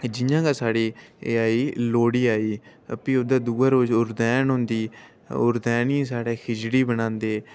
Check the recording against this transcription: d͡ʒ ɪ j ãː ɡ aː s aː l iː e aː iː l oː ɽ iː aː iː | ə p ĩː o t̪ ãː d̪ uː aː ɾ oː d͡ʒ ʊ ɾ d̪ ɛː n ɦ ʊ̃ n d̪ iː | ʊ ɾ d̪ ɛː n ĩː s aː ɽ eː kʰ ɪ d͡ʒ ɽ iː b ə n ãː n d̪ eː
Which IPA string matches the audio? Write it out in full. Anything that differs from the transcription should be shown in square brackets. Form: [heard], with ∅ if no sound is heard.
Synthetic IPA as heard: d͡ʒ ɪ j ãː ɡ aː s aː [ɽ] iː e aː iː l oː ɽ iː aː iː | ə p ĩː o [d̪] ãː d̪ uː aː ɾ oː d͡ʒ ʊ ɾ d̪ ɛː n ɦ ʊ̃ n d̪ iː | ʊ ɾ d̪ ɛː n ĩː s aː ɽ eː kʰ ɪ d͡ʒ ɽ iː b ə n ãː n d̪ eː

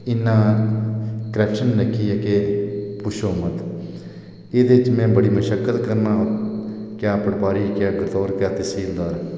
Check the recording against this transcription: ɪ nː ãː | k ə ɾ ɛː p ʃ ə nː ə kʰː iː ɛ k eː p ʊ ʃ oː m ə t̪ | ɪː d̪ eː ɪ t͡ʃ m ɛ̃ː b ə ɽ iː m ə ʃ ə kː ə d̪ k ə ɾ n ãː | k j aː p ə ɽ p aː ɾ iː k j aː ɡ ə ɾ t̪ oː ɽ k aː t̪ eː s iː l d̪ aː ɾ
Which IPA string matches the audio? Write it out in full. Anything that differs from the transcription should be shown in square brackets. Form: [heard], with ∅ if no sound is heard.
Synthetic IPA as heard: ɪ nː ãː | k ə ɾ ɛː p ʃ ə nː ə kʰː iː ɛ k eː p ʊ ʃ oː m ə t̪ | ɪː d̪ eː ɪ t͡ʃ m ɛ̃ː b ə ɽ iː m ə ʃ ə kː ə [t̪] k ə ɾ n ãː | k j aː p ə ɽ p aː ɾ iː k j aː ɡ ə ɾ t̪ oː [ɾ] k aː t̪ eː s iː l d̪ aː ɾ

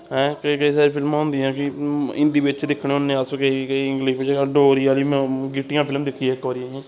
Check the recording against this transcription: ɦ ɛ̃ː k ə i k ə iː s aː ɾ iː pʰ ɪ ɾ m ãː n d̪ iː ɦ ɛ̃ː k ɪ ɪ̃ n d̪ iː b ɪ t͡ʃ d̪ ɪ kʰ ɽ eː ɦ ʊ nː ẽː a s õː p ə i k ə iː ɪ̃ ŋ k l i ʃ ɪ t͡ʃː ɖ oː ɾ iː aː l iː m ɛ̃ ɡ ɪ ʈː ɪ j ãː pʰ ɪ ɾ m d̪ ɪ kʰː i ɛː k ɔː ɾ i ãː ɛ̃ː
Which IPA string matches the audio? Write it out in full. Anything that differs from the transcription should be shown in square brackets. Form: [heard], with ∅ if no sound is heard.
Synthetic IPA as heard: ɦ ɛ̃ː k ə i k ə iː s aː ɾ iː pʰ ɪ [l] m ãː n d̪ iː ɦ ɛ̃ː k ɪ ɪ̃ n d̪ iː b ɪ t͡ʃ d̪ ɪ kʰ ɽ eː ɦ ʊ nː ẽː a s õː [k] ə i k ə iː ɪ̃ ŋ [ɡ] l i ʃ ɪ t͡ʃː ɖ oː ɾ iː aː l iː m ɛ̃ ɡ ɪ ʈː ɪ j ãː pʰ ɪ [l] m d̪ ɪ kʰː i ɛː k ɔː ɾ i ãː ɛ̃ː

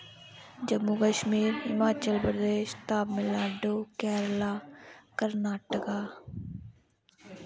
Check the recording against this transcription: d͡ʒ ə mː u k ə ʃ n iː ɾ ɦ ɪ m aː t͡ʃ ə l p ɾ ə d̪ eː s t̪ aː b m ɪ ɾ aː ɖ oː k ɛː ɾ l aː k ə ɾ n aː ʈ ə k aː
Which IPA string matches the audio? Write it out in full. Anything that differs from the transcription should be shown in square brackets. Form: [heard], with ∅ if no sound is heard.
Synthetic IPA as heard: d͡ʒ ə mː u k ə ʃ [m] iː ɾ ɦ ɪ m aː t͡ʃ ə l p ɾ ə d̪ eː [ʃ] t̪ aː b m ɪ [l] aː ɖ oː k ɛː ɾ l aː k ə ɾ n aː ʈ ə k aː

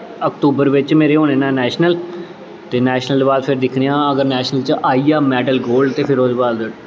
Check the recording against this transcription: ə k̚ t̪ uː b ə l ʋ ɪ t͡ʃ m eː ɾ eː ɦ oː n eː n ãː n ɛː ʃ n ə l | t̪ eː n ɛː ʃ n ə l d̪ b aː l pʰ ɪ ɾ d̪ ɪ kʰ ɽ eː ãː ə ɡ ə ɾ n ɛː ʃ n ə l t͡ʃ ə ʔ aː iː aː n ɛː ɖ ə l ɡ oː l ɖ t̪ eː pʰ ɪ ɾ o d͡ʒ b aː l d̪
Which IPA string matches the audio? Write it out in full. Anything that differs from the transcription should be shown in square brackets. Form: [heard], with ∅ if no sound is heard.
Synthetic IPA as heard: ə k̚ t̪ uː b ə [ɾ] ʋ ɪ t͡ʃ m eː ɾ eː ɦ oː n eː n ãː n ɛː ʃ n ə l | t̪ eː n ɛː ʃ n ə l d̪ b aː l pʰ ɪ ɾ d̪ ɪ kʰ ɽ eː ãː ə ɡ ə ɾ n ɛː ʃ n ə l t͡ʃ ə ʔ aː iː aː [m] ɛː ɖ ə l ɡ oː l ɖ t̪ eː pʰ ɪ ɾ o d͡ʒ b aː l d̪

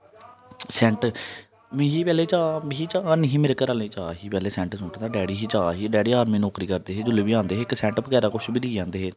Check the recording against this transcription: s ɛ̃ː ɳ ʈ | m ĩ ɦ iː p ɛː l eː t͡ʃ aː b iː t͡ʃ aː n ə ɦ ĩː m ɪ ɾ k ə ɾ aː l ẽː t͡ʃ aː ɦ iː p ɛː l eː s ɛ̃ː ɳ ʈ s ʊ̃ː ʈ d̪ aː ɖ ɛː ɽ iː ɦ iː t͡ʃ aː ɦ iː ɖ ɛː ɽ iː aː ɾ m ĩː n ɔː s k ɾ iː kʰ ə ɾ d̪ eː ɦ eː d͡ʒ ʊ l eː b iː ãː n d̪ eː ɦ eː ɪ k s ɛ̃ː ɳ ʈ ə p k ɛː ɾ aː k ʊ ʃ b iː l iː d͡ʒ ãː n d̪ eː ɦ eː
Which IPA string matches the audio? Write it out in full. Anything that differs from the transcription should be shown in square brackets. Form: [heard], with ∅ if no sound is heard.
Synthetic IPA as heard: s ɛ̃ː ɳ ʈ | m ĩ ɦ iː p ɛː l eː t͡ʃ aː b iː t͡ʃ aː n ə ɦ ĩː m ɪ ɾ k ə ɾ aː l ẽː t͡ʃ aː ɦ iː p ɛː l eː s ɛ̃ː ɳ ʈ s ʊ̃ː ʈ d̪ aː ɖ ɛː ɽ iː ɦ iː t͡ʃ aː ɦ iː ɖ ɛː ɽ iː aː ɾ m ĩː n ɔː [∅] k ɾ iː [k] ə ɾ d̪ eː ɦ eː d͡ʒ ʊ l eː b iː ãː n d̪ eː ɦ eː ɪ k s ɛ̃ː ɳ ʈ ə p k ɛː ɾ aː k ʊ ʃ b iː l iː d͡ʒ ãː n d̪ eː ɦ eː

